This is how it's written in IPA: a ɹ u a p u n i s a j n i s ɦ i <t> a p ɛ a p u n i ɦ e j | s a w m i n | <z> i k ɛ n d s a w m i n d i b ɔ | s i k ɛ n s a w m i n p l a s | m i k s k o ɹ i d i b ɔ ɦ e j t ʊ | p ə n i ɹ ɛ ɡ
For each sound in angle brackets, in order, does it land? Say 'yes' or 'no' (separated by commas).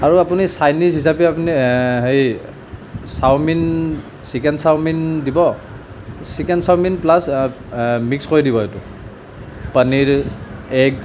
no, no